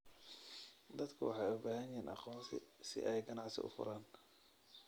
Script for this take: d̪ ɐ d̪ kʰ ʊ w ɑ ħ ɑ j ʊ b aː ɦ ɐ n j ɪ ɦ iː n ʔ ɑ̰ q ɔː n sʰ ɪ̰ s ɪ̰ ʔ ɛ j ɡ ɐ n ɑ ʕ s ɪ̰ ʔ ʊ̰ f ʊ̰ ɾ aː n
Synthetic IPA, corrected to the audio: d̪ ɐ d̪ kʰ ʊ w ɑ ħ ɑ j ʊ b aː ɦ ɐ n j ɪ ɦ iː n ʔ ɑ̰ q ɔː n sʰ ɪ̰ s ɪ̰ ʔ ɛ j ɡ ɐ n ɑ ʕ s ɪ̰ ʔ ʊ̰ f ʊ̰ ɾ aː n